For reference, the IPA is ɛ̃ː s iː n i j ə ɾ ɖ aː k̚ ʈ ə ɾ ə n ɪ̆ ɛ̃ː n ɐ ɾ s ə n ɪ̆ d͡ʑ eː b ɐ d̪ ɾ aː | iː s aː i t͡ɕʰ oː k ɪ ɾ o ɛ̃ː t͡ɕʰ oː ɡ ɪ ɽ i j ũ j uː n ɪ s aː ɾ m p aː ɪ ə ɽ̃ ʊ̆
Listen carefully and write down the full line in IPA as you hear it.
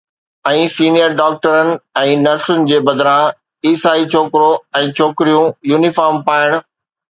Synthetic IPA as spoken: ɛ̃ː s iː n i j ə ɾ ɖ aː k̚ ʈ ə ɾ ə n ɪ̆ ɛ̃ː n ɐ ɾ s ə n ɪ̆ d͡ʑ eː b ɐ d̪ ɾ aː | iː s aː i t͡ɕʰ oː k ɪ ɾ o ɛ̃ː t͡ɕʰ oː k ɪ ɾ i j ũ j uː n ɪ f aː ɾ m p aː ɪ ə ɽ̃ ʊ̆